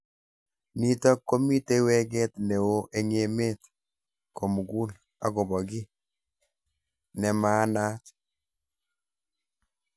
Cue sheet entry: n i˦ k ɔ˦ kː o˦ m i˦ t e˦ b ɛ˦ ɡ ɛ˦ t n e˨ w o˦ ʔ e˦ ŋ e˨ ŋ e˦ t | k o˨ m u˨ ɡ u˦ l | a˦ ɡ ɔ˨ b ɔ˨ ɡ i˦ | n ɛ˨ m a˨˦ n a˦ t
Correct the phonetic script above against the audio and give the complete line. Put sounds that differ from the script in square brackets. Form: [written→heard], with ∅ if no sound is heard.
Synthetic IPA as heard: n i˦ [k→t] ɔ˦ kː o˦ m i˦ t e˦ [b→w] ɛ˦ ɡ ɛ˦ t n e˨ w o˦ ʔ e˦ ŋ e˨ [ŋ→m] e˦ t | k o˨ m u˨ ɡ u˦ l | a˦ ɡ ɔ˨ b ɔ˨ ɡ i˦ | n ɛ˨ m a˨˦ n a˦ t